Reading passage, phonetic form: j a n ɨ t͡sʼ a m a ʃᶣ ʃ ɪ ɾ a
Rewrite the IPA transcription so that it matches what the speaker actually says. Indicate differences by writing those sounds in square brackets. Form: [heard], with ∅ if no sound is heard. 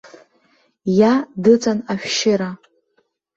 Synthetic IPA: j a [d] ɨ t͡sʼ a [n] a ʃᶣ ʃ ɪ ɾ a